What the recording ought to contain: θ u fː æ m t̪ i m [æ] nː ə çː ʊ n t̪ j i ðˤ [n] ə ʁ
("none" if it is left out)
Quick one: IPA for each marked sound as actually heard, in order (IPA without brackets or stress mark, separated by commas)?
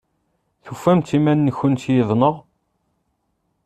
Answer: æ, n